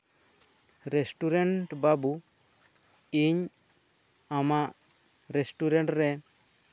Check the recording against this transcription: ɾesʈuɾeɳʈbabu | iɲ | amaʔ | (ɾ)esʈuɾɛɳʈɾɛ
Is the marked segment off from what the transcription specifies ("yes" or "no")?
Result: no